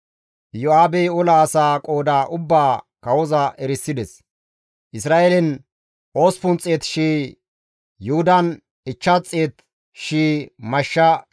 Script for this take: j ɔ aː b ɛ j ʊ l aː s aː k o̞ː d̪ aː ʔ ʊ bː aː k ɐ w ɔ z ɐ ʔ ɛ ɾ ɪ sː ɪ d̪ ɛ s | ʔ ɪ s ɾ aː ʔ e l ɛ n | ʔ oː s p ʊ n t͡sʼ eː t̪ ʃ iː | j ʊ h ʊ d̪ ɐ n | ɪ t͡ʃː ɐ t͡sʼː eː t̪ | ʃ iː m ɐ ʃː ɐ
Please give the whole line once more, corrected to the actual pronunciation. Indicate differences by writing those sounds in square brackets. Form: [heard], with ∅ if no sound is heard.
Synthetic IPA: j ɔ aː b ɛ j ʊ l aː s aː [kʼ] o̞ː d̪ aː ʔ ʊ bː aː k ɐ w ɔ z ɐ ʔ ɛ ɾ ɪ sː ɪ d̪ ɛ s | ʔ ɪ s ɾ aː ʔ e l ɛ n | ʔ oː s p ʊ n t͡sʼ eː t̪ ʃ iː | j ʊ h ʊ d̪ ɐ n | ɪ t͡ʃː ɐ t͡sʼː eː t̪ | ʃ iː m ɐ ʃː ɐ